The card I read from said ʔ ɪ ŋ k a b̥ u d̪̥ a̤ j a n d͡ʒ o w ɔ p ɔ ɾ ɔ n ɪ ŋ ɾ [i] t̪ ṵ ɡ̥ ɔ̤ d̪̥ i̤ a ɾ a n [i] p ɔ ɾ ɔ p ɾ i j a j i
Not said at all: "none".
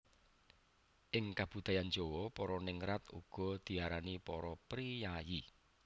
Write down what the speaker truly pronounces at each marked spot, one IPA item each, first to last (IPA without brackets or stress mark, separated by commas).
a, i